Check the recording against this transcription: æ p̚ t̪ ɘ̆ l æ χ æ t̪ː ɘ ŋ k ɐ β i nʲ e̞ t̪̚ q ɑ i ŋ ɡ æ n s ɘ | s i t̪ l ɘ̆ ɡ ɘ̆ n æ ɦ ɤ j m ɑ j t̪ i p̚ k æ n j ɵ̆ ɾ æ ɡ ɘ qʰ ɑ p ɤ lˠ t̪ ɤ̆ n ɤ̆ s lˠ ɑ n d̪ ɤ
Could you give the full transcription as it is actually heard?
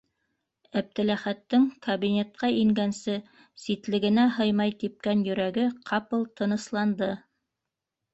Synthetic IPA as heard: æ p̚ t̪ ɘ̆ l æ χ æ t̪ː ɘ ŋ k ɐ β i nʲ e̞ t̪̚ q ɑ i ŋ ɡ æ n s ɘ | s i t̪ l ɘ̆ ɡ ɘ̆ n æ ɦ ɤ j m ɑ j t̪ i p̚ k æ n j ɵ̆ ɾ æ ɡ ɘ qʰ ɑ p ɤ lˠ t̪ ɤ̆ n ɤ̆ s lˠ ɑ n d̪ ɤ